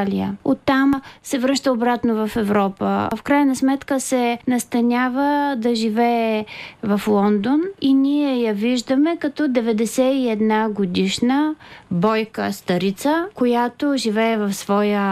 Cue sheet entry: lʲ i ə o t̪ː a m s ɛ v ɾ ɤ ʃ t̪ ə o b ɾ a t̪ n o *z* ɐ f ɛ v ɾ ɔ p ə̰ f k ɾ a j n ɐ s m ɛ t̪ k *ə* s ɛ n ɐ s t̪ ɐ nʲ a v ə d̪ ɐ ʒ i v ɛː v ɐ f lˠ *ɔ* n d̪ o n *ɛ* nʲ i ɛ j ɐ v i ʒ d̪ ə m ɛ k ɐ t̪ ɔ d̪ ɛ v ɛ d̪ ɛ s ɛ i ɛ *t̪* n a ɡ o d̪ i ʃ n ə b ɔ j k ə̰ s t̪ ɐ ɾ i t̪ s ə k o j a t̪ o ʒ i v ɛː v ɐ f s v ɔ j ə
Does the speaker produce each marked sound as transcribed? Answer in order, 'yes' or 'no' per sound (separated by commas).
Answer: no, yes, yes, no, no